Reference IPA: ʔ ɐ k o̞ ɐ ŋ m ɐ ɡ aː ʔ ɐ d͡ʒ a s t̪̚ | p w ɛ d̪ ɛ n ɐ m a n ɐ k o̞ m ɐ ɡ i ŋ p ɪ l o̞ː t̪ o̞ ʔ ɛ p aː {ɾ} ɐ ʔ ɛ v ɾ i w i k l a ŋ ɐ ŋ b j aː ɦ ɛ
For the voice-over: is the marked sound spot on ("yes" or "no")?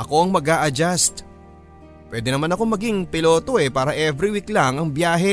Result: yes